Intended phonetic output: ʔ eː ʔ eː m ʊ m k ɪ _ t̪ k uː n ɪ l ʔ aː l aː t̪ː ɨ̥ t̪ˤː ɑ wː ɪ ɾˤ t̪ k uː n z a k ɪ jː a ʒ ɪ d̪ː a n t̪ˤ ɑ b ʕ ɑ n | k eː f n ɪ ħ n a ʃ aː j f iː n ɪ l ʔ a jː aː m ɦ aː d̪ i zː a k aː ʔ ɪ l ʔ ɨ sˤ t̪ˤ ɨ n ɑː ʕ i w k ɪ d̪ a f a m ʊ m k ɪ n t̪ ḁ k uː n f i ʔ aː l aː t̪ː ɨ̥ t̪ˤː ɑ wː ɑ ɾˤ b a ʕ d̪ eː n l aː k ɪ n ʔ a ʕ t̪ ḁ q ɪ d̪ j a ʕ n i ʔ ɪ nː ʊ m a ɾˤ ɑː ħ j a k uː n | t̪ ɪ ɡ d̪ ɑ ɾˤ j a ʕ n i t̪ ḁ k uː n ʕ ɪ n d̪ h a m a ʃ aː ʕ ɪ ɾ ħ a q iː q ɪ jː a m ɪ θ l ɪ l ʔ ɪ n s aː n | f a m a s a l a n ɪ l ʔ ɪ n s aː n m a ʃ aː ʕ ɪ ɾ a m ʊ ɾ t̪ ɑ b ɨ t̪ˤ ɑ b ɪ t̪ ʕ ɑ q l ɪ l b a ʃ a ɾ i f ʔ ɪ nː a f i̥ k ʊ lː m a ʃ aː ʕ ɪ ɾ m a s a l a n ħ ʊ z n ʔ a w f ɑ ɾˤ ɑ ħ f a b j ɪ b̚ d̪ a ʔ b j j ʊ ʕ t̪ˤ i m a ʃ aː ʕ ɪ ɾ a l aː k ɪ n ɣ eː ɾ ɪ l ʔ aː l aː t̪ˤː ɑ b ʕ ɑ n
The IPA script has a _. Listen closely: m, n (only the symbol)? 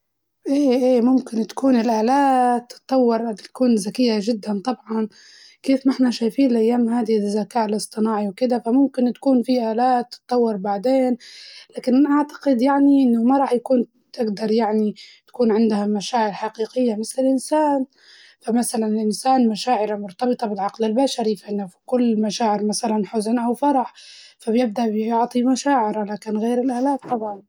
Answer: n